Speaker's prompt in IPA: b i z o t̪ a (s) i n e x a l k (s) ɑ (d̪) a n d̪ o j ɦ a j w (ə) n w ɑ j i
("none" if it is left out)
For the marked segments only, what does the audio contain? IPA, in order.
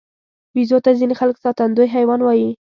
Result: z, s, t̪, ɑ

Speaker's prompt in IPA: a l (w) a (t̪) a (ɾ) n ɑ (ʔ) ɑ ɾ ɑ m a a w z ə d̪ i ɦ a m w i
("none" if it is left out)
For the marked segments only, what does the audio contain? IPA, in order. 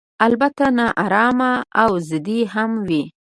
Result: b, t̪, none, ʔ

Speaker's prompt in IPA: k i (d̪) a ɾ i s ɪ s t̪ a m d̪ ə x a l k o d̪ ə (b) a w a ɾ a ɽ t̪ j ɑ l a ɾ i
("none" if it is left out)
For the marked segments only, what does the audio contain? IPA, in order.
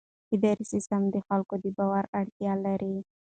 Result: d̪, b

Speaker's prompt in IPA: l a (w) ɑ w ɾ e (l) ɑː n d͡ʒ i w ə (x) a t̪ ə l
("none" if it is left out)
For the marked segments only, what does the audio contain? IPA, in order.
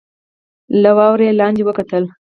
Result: w, l, k

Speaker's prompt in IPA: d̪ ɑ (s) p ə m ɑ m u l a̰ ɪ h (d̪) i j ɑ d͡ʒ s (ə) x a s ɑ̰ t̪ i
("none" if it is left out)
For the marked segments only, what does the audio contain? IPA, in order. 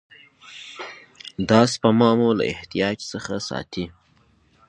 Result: s, t̪, ə

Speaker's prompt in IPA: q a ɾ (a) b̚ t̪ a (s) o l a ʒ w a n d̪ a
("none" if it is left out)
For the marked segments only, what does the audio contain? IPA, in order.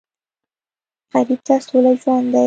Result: i, s

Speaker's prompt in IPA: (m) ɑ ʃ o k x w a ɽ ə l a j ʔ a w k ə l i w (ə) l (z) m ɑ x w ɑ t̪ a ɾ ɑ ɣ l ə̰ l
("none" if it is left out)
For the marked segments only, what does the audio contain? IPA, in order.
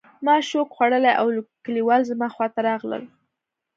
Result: m, ɑ, z

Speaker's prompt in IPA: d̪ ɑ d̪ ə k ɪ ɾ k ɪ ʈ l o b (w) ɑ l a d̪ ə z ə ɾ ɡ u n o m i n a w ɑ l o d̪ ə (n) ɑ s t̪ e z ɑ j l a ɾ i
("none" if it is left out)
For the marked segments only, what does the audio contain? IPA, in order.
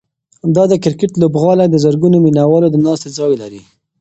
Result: ɣ, n

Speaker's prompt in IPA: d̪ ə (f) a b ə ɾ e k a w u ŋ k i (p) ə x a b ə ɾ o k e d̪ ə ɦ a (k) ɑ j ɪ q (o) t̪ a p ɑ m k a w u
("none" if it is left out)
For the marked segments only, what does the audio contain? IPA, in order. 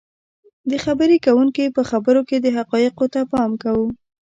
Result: x, p, q, o

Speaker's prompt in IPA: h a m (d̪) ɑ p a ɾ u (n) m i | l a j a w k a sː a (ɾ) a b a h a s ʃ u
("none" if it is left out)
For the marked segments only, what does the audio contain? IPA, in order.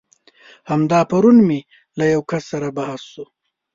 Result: d̪, n, ɾ

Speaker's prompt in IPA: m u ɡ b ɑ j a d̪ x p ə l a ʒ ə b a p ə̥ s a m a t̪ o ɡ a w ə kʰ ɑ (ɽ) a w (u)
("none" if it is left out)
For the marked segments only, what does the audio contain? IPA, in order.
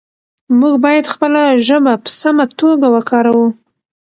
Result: ɾ, u

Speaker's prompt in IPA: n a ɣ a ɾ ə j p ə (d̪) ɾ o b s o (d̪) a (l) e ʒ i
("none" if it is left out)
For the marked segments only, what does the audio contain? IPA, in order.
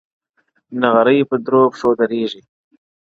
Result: d̪, d̪, ɾ

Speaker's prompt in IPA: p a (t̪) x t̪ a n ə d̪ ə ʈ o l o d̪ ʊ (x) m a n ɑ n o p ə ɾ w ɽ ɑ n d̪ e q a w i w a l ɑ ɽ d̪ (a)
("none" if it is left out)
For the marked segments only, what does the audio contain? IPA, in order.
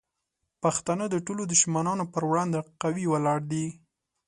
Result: none, ʃ, i

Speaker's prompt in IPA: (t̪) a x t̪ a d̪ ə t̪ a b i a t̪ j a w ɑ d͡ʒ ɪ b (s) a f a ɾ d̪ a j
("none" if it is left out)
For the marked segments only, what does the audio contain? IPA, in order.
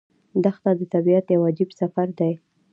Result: d̪, s

